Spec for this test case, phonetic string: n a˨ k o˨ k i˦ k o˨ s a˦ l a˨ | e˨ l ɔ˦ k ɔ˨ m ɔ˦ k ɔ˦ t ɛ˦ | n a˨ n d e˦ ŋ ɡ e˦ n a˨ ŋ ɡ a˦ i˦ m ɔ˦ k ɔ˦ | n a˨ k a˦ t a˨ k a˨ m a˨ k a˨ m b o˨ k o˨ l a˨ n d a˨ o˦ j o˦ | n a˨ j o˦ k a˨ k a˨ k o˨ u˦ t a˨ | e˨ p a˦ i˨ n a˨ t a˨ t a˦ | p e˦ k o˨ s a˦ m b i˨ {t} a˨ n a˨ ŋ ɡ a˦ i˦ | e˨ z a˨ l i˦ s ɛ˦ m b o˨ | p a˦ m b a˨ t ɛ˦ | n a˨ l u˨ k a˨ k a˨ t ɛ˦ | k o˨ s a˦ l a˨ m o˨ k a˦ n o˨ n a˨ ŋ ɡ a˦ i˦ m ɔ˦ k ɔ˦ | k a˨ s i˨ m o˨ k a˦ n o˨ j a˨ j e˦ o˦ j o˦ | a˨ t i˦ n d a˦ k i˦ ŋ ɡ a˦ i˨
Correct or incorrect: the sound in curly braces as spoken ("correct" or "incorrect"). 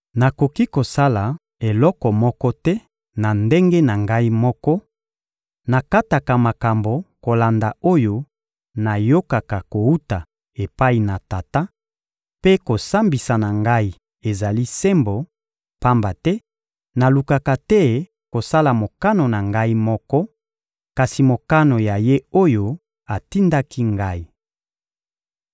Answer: incorrect